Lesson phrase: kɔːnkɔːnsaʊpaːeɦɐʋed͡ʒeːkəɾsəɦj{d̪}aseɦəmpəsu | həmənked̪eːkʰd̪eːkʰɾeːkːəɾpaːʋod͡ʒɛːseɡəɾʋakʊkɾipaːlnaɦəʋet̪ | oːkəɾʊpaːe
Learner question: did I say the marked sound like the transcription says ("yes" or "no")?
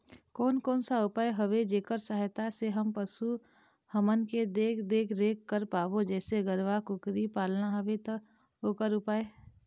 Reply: no